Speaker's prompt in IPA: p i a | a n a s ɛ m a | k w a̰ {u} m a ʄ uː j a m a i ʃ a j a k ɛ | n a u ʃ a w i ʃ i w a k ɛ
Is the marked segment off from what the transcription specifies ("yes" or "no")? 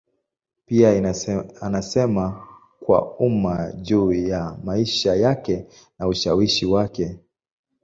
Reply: no